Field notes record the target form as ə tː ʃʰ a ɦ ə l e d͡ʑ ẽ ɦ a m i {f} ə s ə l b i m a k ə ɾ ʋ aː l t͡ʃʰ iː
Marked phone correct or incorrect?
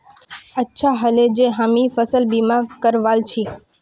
correct